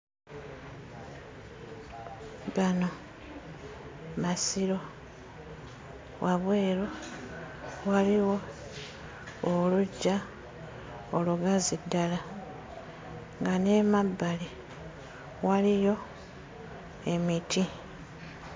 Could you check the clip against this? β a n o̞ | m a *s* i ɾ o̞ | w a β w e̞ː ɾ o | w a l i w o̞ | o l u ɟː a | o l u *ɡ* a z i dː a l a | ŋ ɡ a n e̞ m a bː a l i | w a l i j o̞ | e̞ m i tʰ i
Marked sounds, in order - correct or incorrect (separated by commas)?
correct, correct